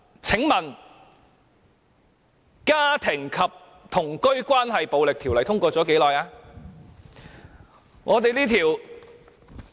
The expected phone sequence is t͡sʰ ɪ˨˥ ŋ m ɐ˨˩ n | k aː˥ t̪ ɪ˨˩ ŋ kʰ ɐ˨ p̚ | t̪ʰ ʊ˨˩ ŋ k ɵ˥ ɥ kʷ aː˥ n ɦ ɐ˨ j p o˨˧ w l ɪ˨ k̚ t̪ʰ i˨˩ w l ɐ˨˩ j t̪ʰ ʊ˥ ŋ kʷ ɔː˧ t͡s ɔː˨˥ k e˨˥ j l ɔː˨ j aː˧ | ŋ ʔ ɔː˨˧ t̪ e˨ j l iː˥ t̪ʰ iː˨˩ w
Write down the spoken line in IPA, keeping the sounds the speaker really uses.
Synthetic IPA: t͡sʰ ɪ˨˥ ŋ m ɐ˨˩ n | k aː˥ t̪ʰ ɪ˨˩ ŋ kʰ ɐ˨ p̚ | t̪ʰ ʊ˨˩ ŋ k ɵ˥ ɥ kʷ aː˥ n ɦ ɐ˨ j p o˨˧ w l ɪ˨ k̚ t̪ʰ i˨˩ w l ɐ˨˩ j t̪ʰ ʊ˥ ŋ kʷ ɔː˧ t͡s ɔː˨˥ k e˨˥ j l ɔː˨ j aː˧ | ŋ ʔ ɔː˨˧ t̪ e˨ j l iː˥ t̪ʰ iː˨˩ w